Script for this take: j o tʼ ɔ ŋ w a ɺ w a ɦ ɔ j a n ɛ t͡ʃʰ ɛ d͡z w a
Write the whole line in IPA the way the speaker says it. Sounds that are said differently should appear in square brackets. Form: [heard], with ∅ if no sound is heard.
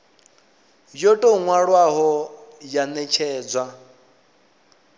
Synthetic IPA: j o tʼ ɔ ŋ w a ɺ w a ɦ ɔ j a n ɛ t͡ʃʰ [ɛː] d͡z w a